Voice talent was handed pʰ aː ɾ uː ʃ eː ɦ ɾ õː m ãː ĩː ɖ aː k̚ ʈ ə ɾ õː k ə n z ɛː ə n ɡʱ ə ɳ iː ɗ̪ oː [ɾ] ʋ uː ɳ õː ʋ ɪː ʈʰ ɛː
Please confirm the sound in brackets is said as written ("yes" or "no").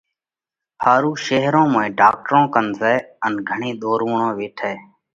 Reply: yes